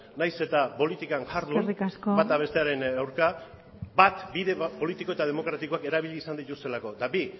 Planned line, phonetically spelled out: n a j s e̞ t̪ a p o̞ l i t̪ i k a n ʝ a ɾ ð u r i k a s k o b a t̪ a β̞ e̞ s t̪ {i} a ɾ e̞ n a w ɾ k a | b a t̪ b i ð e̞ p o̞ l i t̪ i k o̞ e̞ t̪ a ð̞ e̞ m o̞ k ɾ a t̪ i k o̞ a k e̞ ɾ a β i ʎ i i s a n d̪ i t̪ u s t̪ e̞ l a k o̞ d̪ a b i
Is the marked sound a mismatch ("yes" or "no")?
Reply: yes